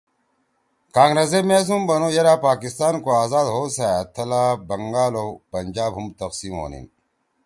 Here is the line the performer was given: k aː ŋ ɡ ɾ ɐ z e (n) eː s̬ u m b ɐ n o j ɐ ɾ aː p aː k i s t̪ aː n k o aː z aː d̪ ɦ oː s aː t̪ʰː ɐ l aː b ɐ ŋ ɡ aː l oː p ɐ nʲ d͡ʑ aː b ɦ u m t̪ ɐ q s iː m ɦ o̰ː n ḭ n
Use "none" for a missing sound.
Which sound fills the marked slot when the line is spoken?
m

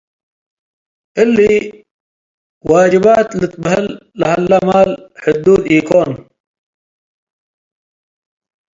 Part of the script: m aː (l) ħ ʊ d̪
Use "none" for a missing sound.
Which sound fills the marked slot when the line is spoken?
l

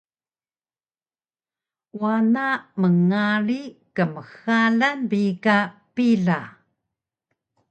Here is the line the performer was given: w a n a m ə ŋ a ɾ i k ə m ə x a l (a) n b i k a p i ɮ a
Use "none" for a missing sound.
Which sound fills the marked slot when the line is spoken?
a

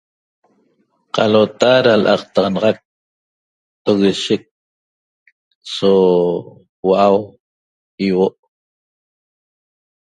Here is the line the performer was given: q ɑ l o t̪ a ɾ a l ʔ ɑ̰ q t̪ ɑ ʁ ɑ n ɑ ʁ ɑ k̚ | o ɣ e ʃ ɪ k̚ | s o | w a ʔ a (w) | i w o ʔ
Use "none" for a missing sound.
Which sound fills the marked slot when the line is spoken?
w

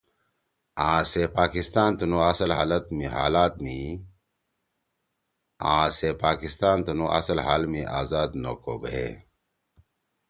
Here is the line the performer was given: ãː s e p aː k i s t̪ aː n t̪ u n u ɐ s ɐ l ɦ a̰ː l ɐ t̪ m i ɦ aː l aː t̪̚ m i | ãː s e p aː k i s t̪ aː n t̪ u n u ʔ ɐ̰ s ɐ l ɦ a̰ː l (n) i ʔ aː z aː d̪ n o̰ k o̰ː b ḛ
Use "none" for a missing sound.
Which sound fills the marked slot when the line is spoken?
m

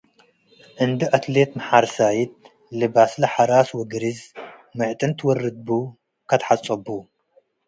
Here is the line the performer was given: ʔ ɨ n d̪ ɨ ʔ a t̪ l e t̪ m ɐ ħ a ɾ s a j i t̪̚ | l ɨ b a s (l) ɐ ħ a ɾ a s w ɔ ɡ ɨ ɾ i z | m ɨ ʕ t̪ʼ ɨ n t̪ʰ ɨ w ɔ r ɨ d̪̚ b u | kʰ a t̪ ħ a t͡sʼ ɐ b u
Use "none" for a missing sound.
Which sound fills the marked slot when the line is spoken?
l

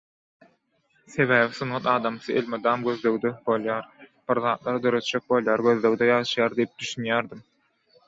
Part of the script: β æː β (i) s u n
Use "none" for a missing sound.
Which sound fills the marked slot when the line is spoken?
i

